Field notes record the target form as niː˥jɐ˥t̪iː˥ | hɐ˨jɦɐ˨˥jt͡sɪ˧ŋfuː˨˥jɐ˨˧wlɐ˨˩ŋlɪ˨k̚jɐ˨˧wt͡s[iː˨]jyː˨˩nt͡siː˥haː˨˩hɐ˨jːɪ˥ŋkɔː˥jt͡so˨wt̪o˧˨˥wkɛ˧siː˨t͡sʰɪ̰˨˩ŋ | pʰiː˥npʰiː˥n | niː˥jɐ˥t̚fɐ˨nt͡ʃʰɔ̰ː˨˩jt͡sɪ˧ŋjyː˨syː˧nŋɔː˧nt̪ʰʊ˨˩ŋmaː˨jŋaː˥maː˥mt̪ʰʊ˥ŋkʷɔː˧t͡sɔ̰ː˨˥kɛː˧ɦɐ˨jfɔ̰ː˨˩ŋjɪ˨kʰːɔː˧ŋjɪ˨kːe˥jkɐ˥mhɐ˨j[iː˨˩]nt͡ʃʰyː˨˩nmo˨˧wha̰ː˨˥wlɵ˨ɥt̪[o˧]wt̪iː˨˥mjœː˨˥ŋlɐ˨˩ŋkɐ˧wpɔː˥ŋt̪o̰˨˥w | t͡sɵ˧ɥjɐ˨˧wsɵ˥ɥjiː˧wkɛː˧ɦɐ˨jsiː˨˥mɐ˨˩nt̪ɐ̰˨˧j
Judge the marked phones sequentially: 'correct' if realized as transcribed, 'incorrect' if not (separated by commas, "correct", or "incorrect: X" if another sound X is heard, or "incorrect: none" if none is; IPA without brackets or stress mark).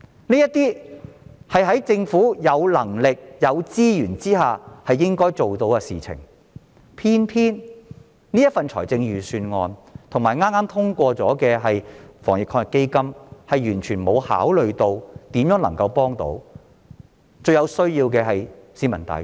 incorrect: iː˥, incorrect: yː˨˩, correct